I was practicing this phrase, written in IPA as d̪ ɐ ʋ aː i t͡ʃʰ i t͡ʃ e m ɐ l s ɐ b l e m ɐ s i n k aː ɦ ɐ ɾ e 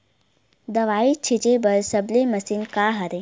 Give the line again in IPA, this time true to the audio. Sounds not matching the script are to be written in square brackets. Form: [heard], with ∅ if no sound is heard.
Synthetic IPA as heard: d̪ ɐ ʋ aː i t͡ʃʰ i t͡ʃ e [b] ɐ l s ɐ b l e m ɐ s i n k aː ɦ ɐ ɾ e